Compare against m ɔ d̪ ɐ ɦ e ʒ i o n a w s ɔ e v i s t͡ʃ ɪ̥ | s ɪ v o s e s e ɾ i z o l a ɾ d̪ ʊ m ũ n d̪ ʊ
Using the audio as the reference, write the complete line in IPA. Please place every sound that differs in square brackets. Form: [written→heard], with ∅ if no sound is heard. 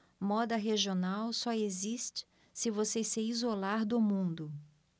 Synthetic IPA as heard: m ɔ d̪ ɐ ɦ e ʒ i o n a w s ɔ e [v→z] i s t͡ʃ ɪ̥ | s ɪ v o s e s e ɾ i z o l a ɾ d̪ ʊ m ũ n d̪ ʊ